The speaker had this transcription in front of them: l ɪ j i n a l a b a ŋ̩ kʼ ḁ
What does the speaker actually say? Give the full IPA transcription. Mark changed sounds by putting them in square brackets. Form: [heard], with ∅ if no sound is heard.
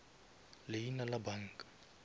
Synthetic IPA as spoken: l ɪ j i n a l a b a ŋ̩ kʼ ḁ